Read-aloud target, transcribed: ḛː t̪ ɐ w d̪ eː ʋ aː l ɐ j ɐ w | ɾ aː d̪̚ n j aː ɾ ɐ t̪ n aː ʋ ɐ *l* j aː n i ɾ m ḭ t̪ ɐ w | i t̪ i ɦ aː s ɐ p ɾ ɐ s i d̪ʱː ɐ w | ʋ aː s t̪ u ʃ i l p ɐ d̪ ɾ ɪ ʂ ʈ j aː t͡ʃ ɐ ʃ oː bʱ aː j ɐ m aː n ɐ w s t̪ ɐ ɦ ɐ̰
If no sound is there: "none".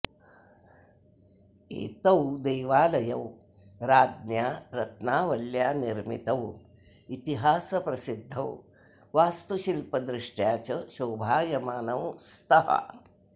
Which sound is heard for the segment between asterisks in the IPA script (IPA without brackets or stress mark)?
l